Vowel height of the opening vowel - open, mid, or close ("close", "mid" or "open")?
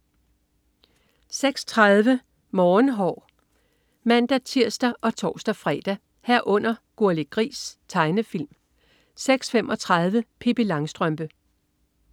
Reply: mid